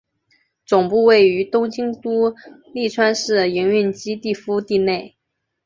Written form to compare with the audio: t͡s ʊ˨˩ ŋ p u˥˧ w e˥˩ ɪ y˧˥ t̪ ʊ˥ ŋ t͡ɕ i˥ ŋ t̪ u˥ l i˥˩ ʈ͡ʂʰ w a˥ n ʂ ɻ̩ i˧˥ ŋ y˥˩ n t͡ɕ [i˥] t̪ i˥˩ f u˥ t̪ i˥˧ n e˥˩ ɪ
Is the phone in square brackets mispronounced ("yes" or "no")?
no